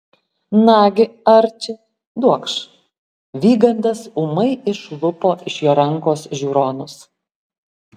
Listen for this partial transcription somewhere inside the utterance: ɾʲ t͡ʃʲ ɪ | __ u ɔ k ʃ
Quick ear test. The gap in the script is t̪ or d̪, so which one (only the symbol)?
d̪